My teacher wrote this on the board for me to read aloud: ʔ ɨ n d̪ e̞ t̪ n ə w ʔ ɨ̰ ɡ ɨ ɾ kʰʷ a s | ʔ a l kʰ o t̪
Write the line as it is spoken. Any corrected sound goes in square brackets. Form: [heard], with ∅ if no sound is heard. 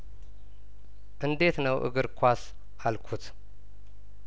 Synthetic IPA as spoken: ʔ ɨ n d̪ e̞ t̪ n ə w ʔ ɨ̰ ɡ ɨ ɾ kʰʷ a s | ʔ a l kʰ [u] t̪